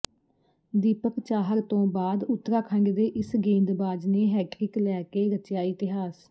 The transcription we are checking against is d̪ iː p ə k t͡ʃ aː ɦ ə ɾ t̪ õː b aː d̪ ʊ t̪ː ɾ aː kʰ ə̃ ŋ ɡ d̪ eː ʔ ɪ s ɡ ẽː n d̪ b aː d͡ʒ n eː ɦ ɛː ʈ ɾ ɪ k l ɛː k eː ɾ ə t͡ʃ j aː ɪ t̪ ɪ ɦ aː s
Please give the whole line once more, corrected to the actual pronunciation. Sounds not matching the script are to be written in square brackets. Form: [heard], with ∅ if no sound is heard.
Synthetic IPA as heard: d̪ iː p ə k t͡ʃ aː ɦ ə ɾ t̪ õː b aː d̪ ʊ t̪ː ɾ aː kʰ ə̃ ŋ ɡ d̪ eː ʔ ɪ s ɡ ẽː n d̪ b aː d͡ʒ n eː ɦ ɛː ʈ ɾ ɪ k l ɛː k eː ɾ ə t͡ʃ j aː ɪ t̪ ɪ ɦ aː s